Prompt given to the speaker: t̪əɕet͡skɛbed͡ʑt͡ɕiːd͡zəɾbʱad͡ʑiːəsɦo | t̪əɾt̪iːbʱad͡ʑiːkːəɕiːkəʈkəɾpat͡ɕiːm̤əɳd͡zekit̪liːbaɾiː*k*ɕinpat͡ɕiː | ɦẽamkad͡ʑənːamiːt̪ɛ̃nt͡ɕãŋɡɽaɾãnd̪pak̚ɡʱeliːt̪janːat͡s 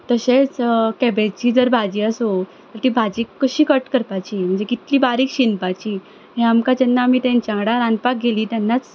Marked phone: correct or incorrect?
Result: correct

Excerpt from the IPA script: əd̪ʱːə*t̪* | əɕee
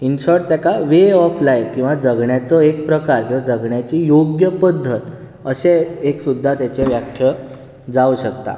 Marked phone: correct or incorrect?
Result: correct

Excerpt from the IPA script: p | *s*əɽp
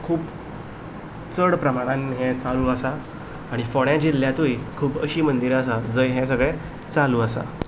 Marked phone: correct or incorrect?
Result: incorrect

